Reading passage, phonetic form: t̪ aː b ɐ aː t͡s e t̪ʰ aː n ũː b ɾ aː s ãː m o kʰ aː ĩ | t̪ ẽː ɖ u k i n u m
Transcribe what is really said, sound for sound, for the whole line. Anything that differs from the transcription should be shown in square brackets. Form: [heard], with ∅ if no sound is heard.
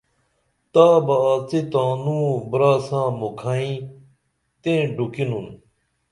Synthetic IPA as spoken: t̪ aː b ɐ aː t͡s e [t̪] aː n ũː b ɾ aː s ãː m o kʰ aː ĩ | t̪ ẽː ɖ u k i n u [n]